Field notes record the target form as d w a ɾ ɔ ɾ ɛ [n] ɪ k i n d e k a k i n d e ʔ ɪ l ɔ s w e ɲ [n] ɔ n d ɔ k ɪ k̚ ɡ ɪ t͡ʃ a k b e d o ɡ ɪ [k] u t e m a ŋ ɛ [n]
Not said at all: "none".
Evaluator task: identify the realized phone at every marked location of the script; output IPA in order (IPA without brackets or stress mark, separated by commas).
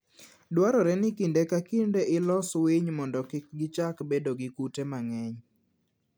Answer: n, m, k, ɲ